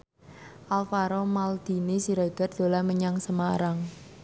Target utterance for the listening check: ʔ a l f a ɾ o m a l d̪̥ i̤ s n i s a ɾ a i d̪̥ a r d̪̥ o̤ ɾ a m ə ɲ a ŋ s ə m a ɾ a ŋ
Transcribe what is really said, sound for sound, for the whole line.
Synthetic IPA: ʔ a l f a ɾ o m a l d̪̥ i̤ n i s i ɾ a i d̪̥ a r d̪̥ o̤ l a m ə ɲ a ŋ s ə m a ɾ a ŋ